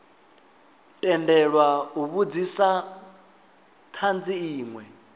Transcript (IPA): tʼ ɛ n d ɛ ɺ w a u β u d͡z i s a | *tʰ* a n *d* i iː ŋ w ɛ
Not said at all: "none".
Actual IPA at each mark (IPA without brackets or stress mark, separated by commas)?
tʰ, d͡z